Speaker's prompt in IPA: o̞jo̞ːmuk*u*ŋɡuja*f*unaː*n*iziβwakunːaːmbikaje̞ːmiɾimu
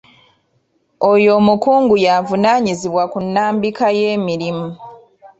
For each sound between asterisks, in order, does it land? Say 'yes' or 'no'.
no, no, no

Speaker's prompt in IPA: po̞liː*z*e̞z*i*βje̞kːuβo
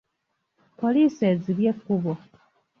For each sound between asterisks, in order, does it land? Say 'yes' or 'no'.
no, yes

